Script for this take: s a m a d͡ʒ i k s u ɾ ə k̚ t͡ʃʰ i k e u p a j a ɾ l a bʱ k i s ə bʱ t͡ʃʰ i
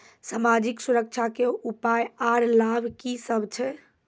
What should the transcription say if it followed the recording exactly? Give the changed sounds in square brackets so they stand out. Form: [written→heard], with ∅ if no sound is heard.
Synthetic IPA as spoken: s a m a d͡ʒ i k s u ɾ ə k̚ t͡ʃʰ [i→a] k e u p a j a ɾ l a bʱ k i s ə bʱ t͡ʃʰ [i→ɛ]